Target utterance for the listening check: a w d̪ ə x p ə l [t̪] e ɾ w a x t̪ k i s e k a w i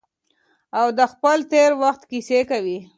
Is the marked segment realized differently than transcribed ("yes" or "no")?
no